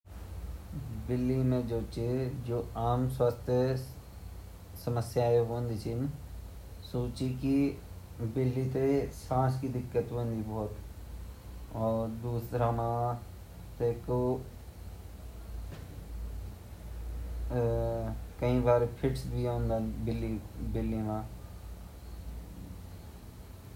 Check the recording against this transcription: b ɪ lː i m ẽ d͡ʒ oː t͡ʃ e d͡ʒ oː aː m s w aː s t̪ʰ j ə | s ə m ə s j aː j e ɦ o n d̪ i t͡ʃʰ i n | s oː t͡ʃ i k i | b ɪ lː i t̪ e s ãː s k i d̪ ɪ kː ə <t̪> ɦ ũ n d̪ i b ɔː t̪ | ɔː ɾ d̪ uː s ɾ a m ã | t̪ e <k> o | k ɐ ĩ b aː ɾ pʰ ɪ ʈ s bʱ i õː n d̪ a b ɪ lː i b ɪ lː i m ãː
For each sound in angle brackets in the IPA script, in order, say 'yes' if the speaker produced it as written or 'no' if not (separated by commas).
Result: yes, yes